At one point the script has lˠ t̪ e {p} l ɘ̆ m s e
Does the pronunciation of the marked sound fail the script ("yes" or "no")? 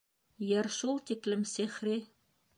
yes